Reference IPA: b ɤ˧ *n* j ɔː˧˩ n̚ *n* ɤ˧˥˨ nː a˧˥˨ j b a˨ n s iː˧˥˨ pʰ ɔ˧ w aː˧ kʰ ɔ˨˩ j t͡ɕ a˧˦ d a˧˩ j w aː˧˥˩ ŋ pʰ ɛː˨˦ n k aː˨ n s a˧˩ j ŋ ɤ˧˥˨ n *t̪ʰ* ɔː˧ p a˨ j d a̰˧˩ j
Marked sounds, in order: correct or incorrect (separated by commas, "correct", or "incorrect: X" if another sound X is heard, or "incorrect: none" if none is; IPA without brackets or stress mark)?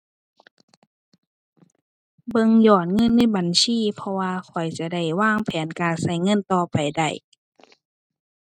incorrect: ŋ, incorrect: ŋ, incorrect: t̪